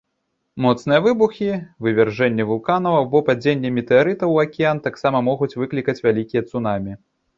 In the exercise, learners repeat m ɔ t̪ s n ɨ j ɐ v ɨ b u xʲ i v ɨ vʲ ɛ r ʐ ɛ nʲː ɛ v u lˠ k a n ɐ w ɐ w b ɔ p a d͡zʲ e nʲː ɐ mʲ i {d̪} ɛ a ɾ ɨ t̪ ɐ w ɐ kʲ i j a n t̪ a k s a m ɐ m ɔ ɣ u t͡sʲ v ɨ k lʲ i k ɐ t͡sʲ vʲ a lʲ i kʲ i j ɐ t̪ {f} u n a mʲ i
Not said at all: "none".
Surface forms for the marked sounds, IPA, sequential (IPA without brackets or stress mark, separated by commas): t̪, s